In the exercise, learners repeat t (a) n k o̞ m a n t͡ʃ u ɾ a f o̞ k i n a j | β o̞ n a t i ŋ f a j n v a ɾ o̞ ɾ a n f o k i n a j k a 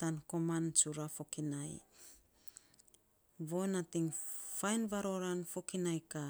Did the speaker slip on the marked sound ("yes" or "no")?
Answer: no